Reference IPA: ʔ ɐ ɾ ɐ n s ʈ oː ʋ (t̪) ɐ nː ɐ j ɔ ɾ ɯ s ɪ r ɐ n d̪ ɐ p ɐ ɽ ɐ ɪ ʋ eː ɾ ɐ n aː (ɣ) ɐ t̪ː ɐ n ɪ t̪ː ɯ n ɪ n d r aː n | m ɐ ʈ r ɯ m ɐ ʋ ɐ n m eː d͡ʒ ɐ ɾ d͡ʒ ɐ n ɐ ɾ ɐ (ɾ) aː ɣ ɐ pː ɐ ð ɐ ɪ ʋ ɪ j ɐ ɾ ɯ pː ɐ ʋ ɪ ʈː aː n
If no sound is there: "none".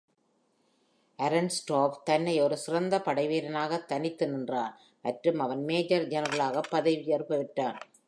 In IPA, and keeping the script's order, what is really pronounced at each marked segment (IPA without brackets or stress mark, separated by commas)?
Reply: t̪, ɣ, ɭ